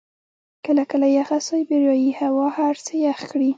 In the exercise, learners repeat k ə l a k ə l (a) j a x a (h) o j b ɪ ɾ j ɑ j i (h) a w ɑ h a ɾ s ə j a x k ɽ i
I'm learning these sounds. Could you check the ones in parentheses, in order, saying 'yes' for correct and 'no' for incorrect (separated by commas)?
yes, no, yes